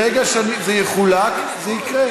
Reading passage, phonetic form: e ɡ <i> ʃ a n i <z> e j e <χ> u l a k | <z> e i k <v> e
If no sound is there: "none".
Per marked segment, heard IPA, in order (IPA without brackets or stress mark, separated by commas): a, z, χ, z, ʁ